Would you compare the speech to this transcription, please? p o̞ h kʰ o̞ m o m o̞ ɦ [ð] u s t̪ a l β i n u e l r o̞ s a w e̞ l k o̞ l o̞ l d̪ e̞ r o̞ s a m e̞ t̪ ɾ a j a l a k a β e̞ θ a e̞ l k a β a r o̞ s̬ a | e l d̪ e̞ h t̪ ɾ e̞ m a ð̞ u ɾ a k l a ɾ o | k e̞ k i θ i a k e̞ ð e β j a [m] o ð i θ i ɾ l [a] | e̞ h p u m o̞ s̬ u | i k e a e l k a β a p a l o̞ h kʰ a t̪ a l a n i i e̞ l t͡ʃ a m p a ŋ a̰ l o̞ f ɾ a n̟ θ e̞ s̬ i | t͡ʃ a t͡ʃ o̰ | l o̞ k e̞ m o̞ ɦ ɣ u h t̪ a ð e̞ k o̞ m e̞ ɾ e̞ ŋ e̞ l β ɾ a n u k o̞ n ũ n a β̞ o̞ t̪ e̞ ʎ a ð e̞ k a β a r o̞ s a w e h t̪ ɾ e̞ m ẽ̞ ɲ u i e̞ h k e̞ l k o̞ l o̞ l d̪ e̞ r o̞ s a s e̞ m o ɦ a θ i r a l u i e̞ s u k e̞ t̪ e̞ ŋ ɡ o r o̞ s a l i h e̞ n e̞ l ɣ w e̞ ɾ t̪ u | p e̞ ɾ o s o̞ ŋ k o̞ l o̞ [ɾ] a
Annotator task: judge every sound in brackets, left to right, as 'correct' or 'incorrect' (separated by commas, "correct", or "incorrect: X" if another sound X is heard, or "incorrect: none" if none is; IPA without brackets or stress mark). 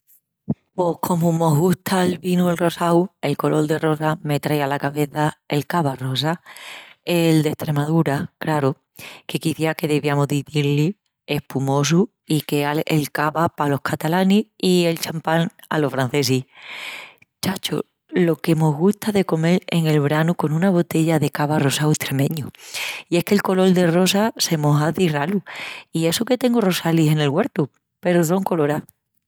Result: incorrect: ɣ, correct, incorrect: i, correct